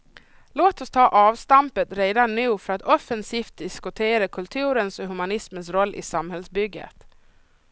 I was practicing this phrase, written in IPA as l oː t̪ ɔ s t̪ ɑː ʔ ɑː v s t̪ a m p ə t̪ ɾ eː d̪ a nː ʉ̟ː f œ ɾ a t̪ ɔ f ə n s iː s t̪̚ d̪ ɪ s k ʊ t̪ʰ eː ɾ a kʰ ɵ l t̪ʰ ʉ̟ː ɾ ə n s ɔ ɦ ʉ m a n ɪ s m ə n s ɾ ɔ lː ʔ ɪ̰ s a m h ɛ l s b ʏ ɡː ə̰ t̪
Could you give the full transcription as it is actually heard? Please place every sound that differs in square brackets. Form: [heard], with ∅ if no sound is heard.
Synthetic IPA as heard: l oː t̪ ɔ s [t̪ʰ] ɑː ʔ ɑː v s t̪ a m p ə t̪ ɾ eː d̪ a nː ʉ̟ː f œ ɾ a t̪ ɔ f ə n s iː [f] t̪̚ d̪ ɪ s k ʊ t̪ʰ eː ɾ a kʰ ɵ l t̪ʰ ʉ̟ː ɾ ə n s ɔ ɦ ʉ m a n ɪ s m ə n s ɾ ɔ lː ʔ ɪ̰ s a m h ɛ l s b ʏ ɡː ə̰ t̪